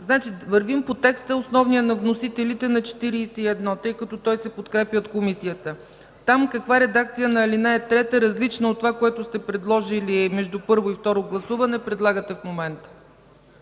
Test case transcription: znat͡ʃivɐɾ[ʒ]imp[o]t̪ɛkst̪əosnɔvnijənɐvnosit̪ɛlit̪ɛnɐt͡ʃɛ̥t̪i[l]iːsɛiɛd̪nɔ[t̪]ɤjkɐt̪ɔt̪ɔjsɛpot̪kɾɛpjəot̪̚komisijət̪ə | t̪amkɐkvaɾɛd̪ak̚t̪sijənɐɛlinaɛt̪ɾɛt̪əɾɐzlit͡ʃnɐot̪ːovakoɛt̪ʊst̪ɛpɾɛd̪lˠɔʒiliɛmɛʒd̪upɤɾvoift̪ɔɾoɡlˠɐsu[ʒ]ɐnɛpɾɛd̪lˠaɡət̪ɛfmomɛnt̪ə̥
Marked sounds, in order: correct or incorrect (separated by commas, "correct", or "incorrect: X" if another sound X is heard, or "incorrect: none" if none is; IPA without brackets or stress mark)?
incorrect: v, correct, incorrect: ɾ, correct, incorrect: v